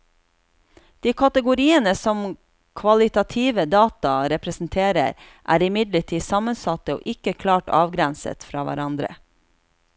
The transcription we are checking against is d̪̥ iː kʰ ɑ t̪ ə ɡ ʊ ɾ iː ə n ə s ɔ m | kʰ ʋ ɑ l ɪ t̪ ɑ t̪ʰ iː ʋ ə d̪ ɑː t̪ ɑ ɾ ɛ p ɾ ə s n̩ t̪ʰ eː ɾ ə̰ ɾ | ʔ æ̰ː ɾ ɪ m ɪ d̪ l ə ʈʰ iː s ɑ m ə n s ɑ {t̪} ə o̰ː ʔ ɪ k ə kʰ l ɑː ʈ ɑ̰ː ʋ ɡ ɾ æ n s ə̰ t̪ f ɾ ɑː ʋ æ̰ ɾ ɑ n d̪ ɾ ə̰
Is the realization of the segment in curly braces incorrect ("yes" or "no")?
no